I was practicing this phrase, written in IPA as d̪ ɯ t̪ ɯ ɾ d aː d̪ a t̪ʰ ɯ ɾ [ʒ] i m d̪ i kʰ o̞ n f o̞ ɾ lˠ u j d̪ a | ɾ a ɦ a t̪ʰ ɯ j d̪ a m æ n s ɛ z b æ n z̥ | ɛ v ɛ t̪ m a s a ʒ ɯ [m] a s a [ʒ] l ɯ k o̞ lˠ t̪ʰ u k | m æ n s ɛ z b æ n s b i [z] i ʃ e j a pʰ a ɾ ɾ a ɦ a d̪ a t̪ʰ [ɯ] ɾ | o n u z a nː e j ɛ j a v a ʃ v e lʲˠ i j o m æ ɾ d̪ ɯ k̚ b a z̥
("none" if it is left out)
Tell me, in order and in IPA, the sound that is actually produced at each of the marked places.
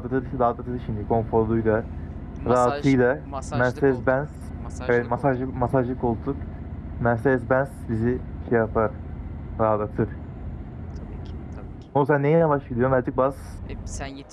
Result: ʃ, m, ʒ, z, ɯ

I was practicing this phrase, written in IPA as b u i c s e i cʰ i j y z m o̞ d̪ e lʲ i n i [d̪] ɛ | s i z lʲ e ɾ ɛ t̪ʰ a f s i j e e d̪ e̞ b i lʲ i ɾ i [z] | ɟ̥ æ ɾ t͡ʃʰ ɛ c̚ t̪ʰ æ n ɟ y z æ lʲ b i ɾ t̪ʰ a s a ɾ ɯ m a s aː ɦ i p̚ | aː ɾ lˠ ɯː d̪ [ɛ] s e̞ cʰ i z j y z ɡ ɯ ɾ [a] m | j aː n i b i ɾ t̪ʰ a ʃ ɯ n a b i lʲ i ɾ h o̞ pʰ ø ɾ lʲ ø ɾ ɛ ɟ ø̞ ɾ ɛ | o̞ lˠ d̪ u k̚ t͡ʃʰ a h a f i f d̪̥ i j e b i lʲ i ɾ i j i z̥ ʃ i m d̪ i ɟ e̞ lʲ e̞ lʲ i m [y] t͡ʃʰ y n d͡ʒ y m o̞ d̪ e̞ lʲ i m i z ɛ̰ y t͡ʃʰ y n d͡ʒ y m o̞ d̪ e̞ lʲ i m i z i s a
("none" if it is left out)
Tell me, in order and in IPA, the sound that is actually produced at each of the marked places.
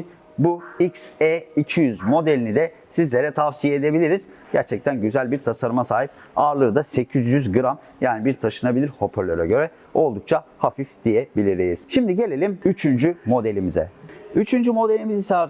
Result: d̪, z, a, a, y

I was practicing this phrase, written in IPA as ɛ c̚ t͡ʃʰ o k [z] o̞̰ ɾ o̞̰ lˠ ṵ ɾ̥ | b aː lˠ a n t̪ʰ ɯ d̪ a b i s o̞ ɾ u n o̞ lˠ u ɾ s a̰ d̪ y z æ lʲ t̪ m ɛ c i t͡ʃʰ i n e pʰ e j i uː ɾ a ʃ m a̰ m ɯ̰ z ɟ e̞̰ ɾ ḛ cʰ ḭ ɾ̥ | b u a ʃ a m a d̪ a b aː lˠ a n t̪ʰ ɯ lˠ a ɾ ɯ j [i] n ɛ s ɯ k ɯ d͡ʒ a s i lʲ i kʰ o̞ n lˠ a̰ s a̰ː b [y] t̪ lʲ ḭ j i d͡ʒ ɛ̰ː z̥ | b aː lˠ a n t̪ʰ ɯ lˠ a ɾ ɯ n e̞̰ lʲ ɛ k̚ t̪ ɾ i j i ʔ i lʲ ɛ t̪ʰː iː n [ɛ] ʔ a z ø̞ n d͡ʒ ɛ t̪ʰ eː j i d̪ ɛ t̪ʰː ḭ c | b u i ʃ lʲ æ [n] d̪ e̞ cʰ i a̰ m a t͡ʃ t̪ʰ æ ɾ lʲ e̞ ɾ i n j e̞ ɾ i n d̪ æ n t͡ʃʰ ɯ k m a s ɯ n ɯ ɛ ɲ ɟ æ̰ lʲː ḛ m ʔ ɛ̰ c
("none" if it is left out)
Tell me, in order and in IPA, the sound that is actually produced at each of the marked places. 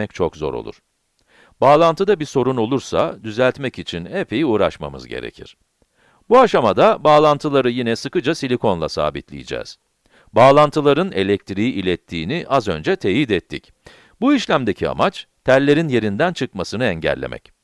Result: z, i, i, i, m

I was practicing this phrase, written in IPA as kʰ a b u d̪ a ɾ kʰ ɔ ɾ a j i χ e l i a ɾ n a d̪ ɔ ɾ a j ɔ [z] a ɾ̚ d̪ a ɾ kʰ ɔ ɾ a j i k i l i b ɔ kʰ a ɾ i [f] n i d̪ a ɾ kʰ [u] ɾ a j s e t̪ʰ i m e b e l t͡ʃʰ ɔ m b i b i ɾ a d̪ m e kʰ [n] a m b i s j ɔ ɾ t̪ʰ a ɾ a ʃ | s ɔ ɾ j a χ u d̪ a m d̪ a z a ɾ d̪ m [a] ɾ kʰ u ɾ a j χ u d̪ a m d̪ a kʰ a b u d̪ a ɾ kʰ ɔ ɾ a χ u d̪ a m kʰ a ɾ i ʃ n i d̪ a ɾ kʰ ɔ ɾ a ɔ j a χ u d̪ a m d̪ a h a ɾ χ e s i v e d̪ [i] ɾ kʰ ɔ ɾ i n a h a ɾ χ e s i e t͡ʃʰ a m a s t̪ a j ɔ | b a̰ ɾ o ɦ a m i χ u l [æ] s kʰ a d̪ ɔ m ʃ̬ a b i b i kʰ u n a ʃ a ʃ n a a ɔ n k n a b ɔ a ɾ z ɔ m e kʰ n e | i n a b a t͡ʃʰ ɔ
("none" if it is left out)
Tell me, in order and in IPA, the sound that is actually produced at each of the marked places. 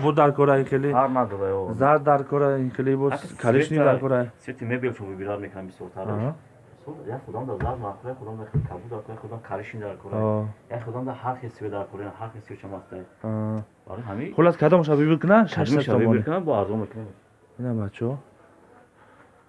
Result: z, ʃ, ɔ, n, a, a, a

